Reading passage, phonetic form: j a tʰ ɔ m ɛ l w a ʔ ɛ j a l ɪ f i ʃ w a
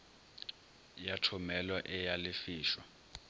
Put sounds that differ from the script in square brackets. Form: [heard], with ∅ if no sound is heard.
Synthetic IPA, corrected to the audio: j a tʰ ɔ m ɛ l w a ʔ ɛ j a l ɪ f [iː] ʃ w a

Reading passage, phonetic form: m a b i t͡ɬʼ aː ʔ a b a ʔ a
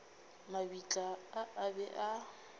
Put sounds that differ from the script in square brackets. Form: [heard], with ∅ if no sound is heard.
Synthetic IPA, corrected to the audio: m a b i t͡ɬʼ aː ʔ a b [ɛ] ʔ a

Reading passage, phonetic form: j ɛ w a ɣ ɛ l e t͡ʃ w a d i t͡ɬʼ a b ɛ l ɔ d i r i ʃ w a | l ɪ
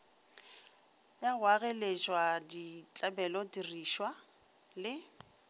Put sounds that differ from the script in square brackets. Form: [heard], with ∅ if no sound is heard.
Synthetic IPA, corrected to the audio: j [a] w a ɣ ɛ l e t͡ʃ w a d i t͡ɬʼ a b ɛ l ɔ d i r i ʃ w a | l ɪ

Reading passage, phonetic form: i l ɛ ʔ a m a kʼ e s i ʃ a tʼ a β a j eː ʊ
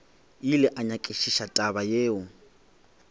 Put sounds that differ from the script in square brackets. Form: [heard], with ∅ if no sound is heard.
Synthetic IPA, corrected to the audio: i l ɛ ʔ a [ɲ] a kʼ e [ʃ] i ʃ a tʼ a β a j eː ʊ

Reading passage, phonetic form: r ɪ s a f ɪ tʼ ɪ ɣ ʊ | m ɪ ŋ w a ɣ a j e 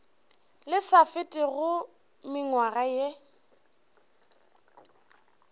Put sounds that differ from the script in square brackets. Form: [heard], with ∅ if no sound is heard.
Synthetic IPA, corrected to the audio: [l] ɪ s a f ɪ tʼ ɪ ɣ ʊ | m ɪ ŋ w a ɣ a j e

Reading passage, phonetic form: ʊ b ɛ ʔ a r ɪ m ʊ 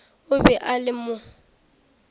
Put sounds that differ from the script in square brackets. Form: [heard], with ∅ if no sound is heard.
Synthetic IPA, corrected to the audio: ʊ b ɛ ʔ a [l] ɪ m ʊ

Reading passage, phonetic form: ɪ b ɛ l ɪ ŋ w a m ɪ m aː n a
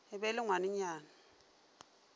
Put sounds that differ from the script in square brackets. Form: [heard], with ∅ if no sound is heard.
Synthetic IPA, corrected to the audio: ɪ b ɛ l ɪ ŋ w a [n] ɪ [ɲ] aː n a

